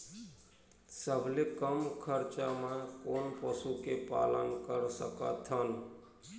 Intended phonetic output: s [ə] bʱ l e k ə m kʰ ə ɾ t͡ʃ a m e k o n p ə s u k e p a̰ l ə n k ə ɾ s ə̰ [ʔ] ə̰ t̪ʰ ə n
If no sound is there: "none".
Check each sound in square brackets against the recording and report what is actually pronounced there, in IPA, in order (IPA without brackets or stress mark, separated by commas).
ə, k